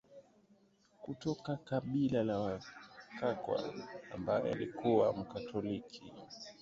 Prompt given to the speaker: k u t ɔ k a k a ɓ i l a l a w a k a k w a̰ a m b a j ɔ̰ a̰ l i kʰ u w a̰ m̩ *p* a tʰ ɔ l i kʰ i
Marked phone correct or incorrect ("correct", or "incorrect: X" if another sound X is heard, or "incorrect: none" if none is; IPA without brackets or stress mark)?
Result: incorrect: k